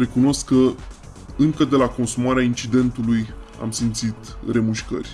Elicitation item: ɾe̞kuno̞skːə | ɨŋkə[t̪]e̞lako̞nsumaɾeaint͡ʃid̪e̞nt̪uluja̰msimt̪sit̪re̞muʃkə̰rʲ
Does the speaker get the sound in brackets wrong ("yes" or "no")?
yes